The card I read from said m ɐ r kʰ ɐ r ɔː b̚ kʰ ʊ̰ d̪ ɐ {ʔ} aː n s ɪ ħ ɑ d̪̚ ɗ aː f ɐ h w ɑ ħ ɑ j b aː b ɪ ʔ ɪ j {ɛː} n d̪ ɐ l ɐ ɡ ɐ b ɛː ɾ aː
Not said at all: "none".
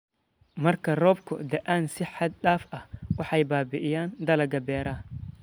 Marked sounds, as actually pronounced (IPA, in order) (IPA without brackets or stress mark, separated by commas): ʔ, aː